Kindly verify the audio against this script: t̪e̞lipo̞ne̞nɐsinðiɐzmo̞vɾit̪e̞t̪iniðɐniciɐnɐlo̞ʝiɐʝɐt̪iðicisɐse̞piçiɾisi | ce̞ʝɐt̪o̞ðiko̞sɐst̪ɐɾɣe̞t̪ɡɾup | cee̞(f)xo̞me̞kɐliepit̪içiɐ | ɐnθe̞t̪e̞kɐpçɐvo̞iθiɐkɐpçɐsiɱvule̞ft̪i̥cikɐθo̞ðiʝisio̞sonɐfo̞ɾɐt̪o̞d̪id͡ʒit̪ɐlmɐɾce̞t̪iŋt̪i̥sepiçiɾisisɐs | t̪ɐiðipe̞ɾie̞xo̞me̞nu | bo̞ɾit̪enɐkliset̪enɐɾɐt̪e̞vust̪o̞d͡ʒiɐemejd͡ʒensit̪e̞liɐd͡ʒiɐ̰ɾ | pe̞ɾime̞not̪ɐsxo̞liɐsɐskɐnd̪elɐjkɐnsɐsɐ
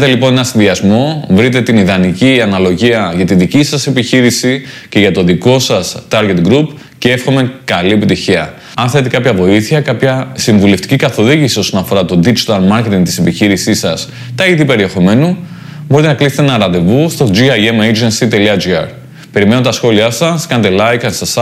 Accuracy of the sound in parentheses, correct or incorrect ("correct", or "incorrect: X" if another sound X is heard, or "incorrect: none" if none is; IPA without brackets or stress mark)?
correct